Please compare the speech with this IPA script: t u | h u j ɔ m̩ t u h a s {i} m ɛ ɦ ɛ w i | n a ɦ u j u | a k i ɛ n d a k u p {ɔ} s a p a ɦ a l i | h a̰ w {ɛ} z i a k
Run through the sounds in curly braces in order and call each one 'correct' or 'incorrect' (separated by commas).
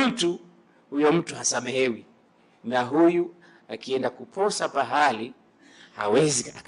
incorrect, correct, correct